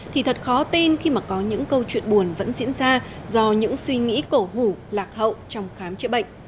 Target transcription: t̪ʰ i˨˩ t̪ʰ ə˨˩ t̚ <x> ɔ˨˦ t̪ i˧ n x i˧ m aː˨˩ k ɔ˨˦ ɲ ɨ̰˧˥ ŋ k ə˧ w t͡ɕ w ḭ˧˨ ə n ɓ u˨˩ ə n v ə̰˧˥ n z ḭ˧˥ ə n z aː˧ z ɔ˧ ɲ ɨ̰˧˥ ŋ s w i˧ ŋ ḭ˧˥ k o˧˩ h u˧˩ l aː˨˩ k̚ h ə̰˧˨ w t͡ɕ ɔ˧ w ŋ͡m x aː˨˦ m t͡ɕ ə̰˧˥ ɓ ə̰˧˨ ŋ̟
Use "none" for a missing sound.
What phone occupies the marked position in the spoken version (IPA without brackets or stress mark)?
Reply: x